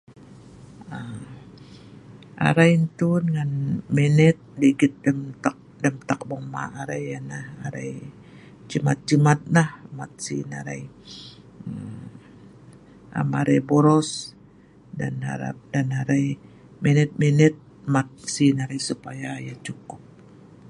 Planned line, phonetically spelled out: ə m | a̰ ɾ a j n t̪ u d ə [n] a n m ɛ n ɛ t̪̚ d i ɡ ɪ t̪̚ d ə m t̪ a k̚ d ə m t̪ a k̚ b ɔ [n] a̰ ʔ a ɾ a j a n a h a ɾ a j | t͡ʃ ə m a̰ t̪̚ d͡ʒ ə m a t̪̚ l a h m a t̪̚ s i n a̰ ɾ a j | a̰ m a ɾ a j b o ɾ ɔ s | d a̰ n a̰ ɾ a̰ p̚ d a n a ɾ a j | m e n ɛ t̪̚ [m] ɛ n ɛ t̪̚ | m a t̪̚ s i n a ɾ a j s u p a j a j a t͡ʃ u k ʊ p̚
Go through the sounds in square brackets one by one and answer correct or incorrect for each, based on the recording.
incorrect: ŋ, incorrect: m, correct

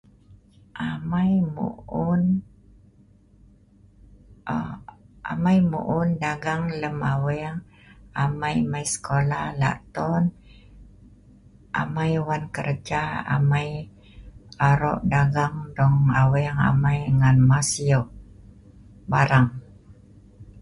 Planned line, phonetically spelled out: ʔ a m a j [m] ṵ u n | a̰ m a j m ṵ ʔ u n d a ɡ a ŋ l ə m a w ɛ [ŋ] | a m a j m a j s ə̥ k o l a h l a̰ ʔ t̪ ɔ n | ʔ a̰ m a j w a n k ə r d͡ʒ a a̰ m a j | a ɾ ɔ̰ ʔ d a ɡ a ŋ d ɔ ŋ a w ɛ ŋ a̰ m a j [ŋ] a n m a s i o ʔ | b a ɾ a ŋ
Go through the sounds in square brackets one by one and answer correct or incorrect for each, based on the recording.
correct, correct, correct

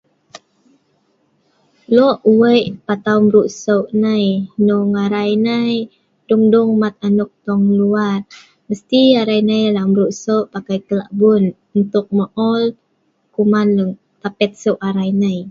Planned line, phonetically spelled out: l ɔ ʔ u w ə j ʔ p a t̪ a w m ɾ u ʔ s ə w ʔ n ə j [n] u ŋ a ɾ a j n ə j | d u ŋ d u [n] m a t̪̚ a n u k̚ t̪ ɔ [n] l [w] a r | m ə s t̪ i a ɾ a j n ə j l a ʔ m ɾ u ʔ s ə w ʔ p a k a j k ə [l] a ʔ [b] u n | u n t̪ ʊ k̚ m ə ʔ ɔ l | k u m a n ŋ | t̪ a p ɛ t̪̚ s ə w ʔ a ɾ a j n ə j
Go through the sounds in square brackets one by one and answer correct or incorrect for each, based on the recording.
correct, incorrect: ŋ, incorrect: ŋ, incorrect: u, correct, correct

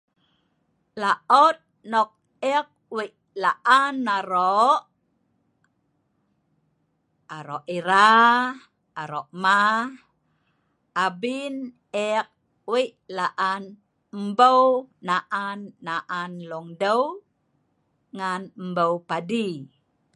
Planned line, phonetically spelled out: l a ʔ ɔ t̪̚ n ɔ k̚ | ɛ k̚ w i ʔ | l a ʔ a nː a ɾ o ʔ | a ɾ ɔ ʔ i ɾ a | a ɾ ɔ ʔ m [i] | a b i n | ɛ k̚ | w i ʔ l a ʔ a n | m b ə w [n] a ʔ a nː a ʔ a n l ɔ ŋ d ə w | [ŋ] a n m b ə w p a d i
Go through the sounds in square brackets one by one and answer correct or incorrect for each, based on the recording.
incorrect: a, correct, correct

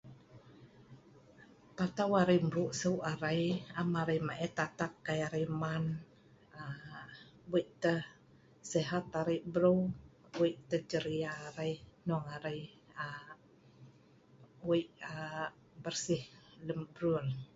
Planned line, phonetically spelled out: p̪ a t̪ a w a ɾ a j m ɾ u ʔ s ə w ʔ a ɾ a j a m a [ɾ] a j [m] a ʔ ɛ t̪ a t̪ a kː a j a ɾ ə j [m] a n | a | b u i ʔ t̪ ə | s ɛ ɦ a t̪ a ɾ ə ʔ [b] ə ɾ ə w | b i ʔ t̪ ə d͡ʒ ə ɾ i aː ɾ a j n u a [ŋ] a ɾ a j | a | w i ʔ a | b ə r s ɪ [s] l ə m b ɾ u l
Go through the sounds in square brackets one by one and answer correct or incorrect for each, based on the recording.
correct, correct, correct, correct, correct, incorrect: h

